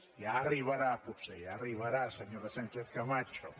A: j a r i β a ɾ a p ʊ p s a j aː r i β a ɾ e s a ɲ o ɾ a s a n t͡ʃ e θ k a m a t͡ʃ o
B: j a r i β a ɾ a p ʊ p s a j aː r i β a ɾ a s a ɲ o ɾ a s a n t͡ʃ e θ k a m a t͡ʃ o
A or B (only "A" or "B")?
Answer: B